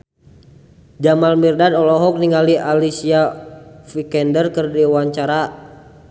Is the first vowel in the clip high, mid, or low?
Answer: low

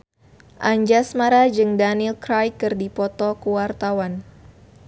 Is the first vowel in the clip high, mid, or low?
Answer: low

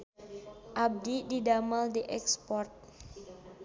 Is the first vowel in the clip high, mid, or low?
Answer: low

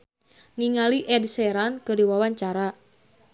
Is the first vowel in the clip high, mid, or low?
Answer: high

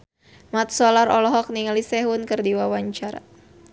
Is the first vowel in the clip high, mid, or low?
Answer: low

